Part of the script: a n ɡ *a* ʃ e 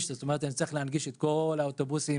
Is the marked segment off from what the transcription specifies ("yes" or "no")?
yes